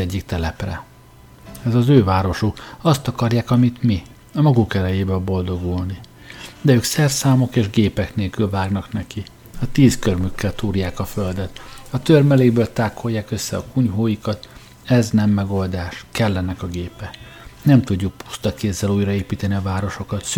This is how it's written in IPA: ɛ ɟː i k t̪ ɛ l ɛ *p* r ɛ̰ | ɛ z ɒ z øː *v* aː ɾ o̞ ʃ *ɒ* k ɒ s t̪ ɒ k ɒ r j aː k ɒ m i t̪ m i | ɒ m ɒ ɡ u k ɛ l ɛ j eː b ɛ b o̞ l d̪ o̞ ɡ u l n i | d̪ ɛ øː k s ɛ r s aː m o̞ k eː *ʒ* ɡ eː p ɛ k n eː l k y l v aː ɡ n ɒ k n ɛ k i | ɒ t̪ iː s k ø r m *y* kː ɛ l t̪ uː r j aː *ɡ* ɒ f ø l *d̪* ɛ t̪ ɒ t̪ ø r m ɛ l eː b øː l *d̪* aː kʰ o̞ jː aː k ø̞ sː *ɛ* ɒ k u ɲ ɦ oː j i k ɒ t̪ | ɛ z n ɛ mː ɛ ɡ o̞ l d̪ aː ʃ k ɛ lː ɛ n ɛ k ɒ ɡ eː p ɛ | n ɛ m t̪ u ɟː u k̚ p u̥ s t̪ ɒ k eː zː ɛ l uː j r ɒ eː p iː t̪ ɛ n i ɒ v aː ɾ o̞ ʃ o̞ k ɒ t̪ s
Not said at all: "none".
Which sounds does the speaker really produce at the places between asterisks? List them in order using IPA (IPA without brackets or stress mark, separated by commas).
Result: p, v, u, ʒ, y, k, d̪, t̪, ɛ